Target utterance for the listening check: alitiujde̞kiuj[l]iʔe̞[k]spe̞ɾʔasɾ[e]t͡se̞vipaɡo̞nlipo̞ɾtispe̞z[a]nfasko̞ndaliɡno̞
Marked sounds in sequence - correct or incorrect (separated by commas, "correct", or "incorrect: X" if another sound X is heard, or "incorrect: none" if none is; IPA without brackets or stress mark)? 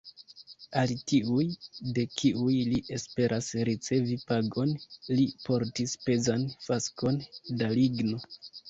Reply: correct, incorrect: none, incorrect: i, correct